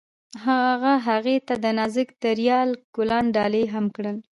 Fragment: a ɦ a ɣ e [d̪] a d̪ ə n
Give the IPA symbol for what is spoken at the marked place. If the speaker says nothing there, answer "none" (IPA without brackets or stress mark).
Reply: t̪